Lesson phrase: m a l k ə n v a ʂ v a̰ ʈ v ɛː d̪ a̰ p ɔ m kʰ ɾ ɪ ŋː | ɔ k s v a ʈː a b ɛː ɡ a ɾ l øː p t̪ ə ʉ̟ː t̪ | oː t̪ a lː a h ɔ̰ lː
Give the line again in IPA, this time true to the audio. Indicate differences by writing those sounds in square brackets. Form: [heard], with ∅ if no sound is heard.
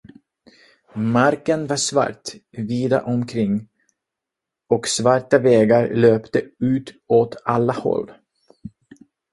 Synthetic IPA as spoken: m a [ɾ] k ə n v a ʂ v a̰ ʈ v [iː] d̪ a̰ [ʔ] ɔ m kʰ ɾ ɪ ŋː | ɔ k s v a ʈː a [v] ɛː ɡ a ɾ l øː p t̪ ə ʉ̟ː t̪ | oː t̪ a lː a h ɔ̰ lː

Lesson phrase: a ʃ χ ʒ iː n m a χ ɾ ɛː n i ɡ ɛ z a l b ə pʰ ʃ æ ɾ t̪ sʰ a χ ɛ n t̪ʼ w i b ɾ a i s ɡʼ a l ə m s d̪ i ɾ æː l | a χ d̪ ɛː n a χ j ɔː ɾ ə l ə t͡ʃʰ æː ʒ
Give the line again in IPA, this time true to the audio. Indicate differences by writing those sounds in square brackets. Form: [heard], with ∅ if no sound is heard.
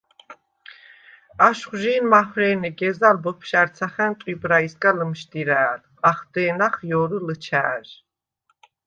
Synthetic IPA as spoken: a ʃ χ ʒ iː n m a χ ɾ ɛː n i ɡ ɛ z a l b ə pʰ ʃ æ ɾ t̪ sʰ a χ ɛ n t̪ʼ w i b ɾ a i s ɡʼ a l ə m [ʃ] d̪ i ɾ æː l | a χ d̪ ɛː n a χ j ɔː ɾ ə l ə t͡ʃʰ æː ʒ

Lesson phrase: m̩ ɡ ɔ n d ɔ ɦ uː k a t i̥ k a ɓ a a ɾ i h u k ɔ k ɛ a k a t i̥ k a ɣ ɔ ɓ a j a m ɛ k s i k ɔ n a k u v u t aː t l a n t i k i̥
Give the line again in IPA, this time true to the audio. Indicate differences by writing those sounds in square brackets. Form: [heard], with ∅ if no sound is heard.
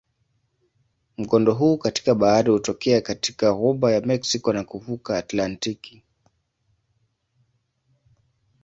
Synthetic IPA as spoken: m̩ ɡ ɔ n d ɔ ɦ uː k a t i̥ k a ɓ a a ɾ i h u [t] ɔ k ɛ a k a t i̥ k a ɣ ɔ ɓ a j a m ɛ k s i k ɔ n a k u v u [k] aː t l a n t i k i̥

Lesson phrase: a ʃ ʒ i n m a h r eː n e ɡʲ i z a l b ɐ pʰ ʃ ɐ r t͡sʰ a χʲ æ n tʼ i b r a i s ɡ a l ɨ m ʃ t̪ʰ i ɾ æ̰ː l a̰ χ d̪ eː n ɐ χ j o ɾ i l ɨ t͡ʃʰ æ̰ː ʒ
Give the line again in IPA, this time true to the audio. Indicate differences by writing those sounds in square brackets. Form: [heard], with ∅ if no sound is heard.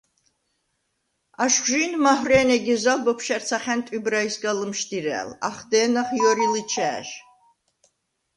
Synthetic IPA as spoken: a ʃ ʒ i n m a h r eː n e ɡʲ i z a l b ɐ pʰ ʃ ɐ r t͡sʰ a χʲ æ n tʼ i b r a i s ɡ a l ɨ m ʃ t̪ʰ i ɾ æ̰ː l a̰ χ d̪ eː n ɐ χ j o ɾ i l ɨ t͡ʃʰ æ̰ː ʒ

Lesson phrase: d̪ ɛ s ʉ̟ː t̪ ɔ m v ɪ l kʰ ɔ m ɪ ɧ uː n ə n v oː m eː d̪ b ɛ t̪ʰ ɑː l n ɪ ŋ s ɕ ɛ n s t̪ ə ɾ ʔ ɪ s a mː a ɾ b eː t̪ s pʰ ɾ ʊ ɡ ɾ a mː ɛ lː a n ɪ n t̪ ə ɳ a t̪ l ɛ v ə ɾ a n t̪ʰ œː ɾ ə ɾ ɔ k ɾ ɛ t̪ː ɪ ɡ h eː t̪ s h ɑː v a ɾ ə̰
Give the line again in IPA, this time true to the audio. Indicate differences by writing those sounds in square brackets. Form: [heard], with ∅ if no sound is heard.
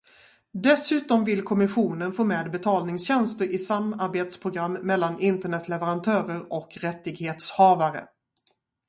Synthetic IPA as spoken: d̪ ɛ s ʉ̟ː t̪ ɔ m v ɪ l kʰ ɔ m ɪ ɧ uː n ə n [f] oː m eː d̪ b ɛ t̪ʰ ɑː l n ɪ ŋ s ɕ ɛ n s t̪ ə ɾ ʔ ɪ s a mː a ɾ b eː t̪ s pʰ ɾ ʊ ɡ ɾ a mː ɛ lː a n ɪ n t̪ ə ɳ [ɛ] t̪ l ɛ v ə ɾ a n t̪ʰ œː ɾ ə ɾ ɔ k ɾ ɛ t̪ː ɪ ɡ h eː t̪ s h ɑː v a ɾ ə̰

